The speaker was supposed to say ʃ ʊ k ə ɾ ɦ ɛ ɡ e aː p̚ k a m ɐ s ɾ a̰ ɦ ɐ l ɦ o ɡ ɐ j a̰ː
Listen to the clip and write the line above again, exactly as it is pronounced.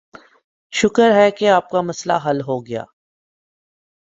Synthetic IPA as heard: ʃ ʊ k ə ɾ ɦ ɛ k e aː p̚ k a m ɐ s l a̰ ɦ ɐ l ɦ o ɡ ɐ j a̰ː